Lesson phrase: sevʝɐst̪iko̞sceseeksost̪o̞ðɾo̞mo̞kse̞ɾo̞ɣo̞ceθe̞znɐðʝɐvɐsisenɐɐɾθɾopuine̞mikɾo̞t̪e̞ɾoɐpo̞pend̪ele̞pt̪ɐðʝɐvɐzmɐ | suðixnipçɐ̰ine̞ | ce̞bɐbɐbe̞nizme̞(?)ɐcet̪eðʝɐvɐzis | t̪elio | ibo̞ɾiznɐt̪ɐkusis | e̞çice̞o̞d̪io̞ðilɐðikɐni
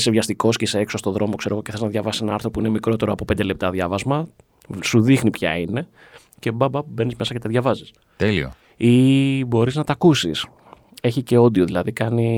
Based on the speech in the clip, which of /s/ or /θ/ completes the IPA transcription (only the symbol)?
s